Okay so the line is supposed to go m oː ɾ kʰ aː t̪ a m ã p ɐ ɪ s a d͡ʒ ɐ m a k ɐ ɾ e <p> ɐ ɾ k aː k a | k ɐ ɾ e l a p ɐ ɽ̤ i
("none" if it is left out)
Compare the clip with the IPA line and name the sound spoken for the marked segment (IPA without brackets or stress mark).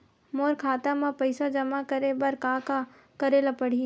b